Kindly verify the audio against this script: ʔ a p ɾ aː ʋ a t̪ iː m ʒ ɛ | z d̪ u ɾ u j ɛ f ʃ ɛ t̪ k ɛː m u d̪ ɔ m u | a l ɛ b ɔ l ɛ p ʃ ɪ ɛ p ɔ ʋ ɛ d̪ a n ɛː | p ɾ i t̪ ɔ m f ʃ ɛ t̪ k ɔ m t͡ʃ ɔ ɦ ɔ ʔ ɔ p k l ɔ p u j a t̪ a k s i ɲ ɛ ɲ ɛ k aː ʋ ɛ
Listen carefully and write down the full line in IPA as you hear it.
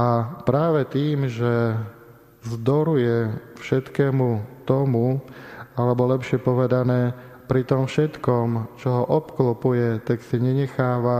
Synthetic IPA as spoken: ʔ a p ɾ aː ʋ ɛ t̪ iː m ʒ ɛ | z d̪ ɔ ɾ u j ɛ f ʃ ɛ t̪ k ɛː m u t̪ ɔ m u | a l ɛ b ɔ l ɛ p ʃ ɪ ɛ p ɔ ʋ ɛ d̪ a n ɛː | p ɾ i t̪ ɔ m f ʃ ɛ t̪ k ɔ m t͡ʃ ɔ ɦ ɔ ʔ ɔ p k l ɔ p u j ɛ t̪ a k s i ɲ ɛ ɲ ɛ x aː ʋ a